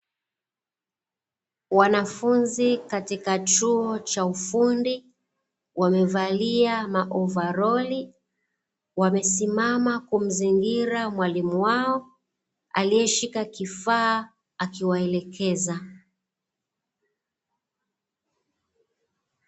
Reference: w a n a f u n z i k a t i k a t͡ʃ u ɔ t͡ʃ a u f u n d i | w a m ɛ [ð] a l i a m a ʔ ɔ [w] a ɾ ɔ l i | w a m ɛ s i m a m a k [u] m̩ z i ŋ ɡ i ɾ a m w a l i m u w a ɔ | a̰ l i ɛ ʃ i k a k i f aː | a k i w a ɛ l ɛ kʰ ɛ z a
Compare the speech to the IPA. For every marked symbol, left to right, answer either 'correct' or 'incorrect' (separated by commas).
incorrect, incorrect, correct